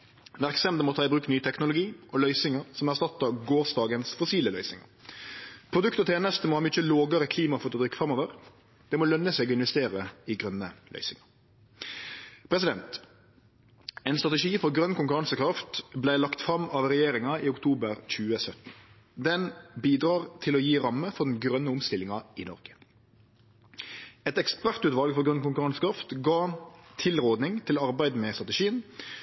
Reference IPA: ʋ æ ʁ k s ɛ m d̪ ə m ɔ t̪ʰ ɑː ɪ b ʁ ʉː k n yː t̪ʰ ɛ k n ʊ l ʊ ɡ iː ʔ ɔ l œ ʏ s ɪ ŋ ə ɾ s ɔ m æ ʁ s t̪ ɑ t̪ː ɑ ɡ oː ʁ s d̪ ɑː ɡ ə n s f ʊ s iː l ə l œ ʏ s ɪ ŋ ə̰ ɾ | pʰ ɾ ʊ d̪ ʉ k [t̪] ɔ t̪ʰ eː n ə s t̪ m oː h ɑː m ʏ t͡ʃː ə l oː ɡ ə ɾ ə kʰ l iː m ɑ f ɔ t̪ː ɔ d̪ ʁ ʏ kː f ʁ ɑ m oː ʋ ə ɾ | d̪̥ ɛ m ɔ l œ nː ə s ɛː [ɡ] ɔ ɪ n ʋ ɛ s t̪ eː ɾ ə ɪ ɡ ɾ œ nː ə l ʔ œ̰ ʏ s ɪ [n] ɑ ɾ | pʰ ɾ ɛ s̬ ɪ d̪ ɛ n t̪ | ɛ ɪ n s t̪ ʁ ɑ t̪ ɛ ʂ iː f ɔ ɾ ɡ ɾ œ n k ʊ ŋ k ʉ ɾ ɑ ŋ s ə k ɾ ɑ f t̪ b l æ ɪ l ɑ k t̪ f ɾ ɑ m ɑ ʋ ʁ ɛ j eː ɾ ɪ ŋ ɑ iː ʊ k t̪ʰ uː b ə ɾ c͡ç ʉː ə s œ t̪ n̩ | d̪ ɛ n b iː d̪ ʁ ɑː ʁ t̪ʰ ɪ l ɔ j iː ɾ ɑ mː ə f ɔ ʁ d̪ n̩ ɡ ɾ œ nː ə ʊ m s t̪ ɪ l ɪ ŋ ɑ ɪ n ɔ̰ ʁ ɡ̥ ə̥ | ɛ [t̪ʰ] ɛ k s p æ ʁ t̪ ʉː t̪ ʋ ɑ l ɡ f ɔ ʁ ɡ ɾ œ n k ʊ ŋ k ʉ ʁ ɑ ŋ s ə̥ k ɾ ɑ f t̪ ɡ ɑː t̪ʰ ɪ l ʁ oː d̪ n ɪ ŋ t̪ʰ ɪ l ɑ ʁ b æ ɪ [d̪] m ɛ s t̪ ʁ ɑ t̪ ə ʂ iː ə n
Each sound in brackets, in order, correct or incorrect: correct, correct, incorrect: ŋ, incorrect: t̪, correct

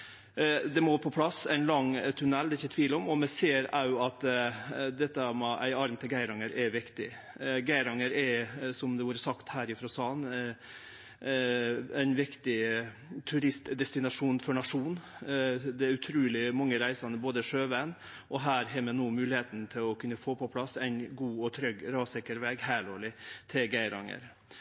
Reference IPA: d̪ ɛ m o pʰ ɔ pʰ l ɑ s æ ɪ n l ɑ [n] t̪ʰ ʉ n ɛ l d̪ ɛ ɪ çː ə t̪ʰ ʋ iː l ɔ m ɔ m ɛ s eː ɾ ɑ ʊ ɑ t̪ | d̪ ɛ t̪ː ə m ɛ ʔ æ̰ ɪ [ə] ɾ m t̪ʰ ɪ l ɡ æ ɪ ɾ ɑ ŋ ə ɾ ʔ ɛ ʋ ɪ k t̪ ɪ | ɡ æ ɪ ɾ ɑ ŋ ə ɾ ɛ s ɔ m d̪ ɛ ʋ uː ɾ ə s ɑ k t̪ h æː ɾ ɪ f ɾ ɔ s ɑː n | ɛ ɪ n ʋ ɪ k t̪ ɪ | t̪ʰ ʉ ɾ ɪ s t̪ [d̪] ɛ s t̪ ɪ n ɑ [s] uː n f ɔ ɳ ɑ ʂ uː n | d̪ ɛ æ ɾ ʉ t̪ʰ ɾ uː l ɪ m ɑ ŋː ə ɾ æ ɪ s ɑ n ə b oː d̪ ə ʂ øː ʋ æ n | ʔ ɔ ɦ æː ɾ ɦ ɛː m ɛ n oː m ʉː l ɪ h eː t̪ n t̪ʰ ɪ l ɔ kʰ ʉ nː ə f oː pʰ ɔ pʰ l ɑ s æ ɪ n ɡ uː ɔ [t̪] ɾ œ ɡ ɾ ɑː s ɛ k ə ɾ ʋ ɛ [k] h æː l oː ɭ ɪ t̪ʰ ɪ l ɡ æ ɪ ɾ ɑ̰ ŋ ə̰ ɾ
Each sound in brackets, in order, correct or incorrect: incorrect: ŋ, incorrect: ɑ, correct, incorrect: ʂ, incorrect: t̪ʰ, incorrect: ɡ

